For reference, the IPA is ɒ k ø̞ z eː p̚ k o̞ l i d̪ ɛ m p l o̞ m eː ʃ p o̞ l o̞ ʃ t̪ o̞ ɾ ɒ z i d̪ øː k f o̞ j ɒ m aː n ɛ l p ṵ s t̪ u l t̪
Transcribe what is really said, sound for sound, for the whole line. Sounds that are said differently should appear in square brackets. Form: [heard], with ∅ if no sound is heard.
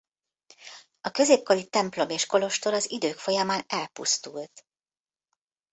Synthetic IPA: ɒ k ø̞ z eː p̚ k o̞ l i [t̪] ɛ m p l o̞ m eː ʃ [k] o̞ l o̞ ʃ t̪ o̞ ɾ ɒ z i d̪ øː k f o̞ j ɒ m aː n ɛ l p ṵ s t̪ u l t̪